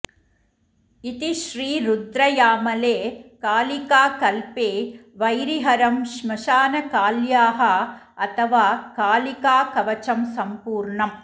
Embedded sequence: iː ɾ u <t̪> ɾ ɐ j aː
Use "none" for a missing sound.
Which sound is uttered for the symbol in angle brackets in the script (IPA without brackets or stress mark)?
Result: d̪